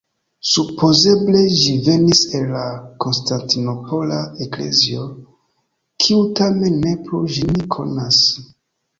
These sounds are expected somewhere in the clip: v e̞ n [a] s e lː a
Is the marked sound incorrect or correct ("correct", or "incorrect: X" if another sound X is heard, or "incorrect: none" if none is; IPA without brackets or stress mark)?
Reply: incorrect: i